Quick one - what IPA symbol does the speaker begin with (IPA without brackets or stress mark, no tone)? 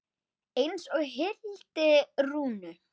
e